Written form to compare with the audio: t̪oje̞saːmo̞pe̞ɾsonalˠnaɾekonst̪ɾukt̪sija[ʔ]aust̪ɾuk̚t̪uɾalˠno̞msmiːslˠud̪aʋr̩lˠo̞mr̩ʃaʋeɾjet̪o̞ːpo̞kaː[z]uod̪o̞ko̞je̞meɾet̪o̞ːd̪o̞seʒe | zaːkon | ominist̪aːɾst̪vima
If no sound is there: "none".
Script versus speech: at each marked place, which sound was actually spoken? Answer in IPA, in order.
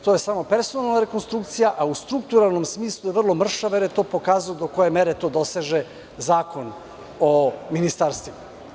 ʔ, z

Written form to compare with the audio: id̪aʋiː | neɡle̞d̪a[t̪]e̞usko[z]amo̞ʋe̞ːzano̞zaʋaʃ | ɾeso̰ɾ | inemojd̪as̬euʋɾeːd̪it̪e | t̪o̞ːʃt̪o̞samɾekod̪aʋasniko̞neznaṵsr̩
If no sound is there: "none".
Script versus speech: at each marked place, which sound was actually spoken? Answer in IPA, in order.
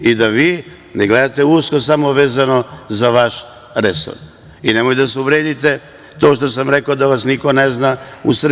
t̪, s

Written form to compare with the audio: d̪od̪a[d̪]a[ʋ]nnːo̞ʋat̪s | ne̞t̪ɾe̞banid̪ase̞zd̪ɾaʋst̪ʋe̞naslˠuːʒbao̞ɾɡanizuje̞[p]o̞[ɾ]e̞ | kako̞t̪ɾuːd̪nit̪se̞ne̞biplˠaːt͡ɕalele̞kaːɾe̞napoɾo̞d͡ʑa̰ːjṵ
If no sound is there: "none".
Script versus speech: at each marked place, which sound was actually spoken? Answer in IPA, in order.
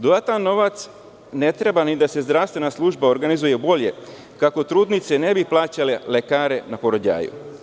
t̪, none, b, ʎ

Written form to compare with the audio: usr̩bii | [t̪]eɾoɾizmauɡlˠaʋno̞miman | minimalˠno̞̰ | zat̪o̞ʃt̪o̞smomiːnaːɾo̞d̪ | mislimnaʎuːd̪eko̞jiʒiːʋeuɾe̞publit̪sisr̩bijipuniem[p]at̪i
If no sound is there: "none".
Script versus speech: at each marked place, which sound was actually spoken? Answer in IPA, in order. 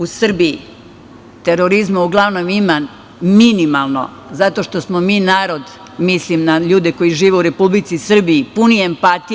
t̪, p

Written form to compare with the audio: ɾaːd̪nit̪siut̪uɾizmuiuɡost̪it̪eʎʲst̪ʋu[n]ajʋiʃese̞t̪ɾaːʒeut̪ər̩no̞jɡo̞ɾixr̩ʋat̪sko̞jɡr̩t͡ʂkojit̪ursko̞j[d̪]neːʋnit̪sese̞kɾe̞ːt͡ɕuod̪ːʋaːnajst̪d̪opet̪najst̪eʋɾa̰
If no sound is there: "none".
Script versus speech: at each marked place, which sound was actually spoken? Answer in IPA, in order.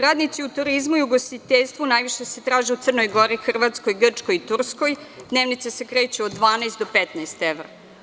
n, d̪

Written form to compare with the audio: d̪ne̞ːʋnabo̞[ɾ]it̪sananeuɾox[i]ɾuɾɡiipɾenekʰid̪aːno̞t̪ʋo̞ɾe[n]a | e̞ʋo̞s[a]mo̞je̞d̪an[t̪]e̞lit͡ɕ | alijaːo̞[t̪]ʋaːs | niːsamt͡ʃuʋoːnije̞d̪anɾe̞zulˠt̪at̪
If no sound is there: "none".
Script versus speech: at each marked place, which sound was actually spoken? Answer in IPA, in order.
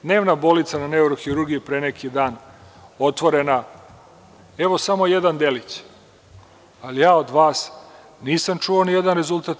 l, i, n, a, d̪, d̪

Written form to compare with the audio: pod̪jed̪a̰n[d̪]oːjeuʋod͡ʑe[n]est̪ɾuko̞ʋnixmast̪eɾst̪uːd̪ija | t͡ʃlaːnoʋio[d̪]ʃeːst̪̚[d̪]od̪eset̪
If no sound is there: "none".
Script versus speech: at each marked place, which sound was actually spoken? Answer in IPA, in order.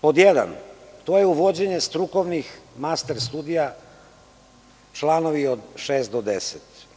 t̪, ɲ, d̪, d̪

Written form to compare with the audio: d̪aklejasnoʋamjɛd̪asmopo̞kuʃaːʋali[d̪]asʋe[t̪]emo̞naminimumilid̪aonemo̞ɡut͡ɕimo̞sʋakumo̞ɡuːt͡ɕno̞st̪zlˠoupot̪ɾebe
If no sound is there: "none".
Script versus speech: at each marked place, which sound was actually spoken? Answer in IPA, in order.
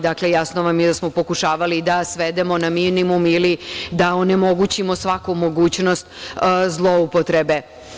d̪, d̪

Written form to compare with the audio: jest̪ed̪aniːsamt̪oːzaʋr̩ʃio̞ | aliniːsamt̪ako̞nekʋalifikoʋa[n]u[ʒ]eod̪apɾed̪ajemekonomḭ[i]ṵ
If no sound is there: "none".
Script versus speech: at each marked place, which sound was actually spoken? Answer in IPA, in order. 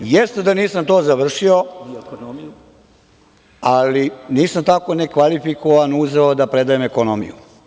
n, z, j

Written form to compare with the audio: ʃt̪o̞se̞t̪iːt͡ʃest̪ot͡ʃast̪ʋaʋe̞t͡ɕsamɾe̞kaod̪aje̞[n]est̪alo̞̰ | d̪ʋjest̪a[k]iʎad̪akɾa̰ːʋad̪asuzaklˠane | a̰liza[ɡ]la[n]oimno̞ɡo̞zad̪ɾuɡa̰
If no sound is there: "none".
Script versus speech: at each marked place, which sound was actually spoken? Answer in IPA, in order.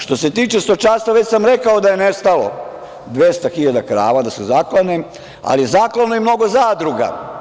n, x, k, n

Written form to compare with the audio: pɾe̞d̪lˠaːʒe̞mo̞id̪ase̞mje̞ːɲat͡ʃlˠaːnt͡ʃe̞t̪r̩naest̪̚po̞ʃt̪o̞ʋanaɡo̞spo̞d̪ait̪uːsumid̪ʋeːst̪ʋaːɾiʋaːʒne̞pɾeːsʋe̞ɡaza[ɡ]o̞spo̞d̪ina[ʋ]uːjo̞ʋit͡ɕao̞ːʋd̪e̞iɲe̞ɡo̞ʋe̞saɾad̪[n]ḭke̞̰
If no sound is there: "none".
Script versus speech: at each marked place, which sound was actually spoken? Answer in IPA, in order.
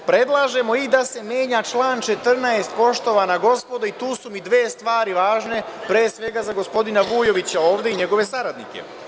ɡ, ʋ, n

